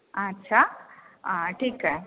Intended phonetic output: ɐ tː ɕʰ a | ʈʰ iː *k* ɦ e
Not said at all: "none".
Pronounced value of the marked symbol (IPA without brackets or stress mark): k